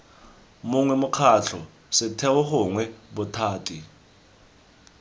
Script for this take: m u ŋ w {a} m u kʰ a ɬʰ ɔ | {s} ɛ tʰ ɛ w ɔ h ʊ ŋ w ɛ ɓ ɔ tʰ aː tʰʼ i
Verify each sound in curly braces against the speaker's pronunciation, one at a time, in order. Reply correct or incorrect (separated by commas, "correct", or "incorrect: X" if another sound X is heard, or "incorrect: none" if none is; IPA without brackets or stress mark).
incorrect: ɛ, correct